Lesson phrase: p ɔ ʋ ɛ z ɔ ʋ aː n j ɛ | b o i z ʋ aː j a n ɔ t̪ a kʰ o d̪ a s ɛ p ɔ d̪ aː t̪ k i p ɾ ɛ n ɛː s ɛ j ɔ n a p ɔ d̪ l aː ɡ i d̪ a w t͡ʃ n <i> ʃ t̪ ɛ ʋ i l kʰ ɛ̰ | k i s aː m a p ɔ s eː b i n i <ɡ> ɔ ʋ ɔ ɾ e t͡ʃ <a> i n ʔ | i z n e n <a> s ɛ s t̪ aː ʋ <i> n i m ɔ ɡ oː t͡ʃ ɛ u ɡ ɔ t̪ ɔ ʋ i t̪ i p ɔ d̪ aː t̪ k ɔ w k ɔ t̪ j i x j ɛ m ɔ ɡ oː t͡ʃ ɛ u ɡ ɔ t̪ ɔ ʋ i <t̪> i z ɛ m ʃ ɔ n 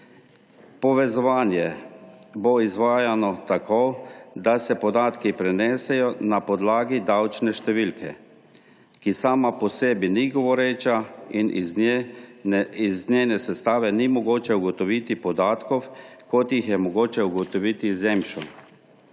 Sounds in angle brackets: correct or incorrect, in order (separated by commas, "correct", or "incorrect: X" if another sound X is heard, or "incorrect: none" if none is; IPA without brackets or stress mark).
incorrect: ɛ, correct, correct, incorrect: ɛ, incorrect: ɛ, correct